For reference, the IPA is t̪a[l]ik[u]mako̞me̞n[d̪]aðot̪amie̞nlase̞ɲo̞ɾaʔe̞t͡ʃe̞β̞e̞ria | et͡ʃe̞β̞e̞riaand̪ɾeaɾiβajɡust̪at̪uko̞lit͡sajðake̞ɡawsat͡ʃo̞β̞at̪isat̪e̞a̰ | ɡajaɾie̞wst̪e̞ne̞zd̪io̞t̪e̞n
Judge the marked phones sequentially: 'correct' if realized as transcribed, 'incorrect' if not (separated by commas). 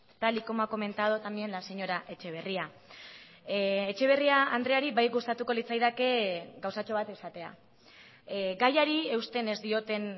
correct, incorrect, incorrect